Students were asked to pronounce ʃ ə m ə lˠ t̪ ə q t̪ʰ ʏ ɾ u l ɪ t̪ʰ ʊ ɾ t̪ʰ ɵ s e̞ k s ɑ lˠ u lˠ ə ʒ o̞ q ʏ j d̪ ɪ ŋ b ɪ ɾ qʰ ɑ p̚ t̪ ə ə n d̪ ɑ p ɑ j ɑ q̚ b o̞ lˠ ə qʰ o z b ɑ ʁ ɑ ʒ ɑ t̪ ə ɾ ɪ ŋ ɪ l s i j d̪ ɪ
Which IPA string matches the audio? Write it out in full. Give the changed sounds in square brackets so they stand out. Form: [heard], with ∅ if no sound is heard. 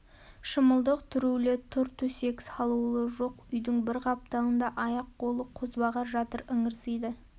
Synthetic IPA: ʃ ə m ə lˠ [d̪] ə q t̪ʰ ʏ ɾ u l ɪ t̪ʰ ʊ ɾ t̪ʰ ɵ s e̞ k s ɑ lˠ u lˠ ə ʒ o̞ q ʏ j d̪ ɪ ŋ b ɪ ɾ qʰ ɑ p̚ t̪ [ɑ] ə n d̪ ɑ [ʔ] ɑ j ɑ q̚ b o̞ lˠ ə qʰ o z b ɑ ʁ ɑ ʒ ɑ t̪ ə ɾ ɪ ŋ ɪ [ɾ] s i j d̪ ɪ